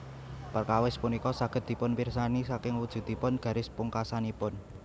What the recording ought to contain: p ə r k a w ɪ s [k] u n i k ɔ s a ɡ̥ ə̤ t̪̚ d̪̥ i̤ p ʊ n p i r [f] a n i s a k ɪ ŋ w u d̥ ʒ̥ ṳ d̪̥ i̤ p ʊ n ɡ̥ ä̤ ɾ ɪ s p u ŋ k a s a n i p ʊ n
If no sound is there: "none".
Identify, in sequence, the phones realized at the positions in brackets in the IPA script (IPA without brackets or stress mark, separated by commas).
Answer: p, s